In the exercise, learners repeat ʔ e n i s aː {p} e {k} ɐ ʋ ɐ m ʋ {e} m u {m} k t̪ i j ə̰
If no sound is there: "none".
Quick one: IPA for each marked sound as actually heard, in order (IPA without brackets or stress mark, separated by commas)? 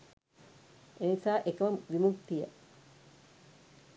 ʔ, k, i, none